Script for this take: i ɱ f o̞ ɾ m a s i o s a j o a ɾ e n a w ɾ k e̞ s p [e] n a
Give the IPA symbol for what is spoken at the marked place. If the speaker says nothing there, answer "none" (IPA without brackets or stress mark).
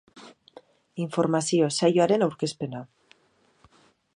e